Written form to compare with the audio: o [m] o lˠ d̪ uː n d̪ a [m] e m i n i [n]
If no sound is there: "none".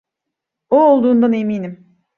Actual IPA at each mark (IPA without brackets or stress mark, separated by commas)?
none, n, m